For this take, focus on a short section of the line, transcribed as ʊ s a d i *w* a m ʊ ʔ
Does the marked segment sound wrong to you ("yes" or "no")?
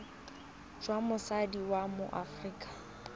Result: no